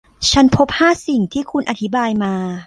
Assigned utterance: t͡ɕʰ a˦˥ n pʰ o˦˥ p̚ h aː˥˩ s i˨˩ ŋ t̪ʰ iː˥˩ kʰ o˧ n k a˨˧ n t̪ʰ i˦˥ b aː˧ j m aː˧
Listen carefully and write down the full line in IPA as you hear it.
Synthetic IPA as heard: t͡ɕʰ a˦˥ n pʰ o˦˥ p̚ h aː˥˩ s i˨˩ ŋ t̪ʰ iː˥˩ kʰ u˧ n ʔ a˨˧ t̪ʰ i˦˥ b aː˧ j m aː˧